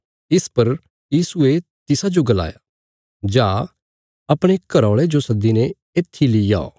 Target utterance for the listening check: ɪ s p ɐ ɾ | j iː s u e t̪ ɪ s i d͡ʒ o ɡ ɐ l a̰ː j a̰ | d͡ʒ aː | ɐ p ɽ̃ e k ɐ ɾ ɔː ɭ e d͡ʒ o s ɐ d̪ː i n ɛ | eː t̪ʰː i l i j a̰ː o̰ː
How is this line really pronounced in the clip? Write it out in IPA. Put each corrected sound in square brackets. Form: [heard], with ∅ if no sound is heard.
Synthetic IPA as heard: ɪ s p ɐ ɾ | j iː s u e t̪ ɪ s [a] d͡ʒ o ɡ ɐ l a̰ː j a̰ | d͡ʒ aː | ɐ p ɽ̃ e k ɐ ɾ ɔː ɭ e d͡ʒ o s ɐ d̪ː i n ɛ | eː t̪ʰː i l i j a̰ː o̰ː